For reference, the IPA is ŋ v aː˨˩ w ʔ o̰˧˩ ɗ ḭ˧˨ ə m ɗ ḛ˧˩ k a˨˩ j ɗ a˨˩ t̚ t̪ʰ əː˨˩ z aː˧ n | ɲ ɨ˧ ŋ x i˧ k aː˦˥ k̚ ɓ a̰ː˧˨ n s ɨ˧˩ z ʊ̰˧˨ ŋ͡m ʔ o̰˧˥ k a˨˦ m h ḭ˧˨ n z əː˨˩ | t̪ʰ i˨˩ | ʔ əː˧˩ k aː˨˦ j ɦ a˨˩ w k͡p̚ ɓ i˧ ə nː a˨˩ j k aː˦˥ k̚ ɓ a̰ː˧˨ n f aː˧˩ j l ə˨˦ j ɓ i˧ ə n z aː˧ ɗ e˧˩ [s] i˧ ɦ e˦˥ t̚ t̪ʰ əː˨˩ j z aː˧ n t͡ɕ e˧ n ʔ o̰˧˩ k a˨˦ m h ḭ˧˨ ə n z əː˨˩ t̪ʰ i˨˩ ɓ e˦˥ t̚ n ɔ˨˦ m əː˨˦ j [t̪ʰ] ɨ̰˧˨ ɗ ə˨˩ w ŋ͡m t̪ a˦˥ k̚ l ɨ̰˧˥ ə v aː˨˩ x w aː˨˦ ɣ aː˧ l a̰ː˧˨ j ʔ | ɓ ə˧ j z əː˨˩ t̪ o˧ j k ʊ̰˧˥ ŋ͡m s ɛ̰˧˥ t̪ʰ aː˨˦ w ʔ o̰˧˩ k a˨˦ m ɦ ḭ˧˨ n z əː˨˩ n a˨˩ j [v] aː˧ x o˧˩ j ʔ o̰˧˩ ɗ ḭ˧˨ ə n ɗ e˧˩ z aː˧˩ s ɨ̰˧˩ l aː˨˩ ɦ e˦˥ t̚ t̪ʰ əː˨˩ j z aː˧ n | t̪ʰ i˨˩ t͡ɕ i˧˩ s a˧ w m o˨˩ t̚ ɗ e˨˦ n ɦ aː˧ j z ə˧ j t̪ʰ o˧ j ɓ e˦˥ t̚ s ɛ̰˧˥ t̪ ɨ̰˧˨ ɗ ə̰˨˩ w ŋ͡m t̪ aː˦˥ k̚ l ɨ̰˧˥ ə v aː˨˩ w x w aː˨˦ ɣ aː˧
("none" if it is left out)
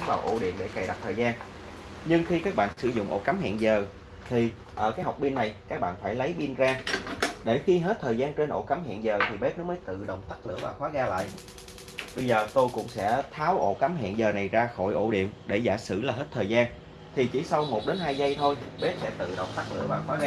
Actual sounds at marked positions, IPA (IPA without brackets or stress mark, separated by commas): x, t̪, z